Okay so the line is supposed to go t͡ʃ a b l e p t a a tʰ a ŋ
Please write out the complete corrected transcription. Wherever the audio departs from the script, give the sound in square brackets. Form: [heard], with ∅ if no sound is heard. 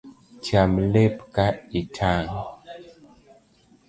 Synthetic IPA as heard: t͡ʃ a [m] l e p [k] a [i] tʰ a ŋ